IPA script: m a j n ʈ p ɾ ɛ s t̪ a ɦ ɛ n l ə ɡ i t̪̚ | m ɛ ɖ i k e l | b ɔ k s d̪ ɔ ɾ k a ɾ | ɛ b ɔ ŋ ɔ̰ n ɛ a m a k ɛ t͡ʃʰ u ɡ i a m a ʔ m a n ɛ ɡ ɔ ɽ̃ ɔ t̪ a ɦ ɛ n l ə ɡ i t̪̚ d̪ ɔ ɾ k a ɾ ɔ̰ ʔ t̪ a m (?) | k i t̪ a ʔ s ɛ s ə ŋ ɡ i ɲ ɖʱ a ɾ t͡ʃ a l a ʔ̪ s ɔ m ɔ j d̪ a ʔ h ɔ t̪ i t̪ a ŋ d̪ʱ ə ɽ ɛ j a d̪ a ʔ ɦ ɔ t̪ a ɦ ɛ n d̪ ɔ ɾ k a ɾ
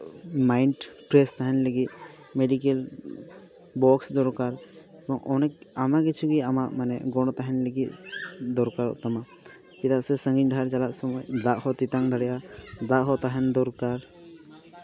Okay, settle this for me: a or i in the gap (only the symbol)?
a